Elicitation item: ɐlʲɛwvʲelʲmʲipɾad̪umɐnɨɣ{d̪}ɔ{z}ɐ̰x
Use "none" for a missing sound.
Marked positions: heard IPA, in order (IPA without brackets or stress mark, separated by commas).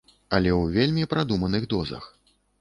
d̪, z